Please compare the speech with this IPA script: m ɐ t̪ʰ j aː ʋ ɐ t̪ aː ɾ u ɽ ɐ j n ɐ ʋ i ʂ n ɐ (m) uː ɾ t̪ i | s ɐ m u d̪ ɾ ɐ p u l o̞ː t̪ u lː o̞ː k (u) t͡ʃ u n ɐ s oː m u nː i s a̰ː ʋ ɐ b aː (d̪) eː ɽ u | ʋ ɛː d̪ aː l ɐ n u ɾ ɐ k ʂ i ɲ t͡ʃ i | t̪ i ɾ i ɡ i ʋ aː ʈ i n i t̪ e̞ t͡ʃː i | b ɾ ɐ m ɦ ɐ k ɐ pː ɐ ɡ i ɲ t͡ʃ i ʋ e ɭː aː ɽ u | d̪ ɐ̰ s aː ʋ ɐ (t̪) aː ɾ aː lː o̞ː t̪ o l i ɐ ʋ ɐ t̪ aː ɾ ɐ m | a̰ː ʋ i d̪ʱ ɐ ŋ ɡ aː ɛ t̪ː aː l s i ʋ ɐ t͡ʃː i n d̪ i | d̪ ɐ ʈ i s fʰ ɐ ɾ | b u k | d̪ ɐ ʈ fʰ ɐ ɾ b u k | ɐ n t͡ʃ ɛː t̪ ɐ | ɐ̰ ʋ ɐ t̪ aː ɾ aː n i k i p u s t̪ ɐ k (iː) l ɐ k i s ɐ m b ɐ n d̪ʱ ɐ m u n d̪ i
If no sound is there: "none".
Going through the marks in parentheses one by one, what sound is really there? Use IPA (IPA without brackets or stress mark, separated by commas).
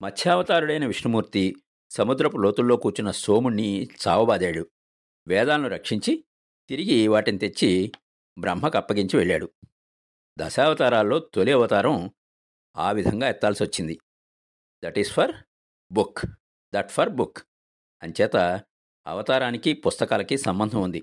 m, uː, d̪, t̪, aː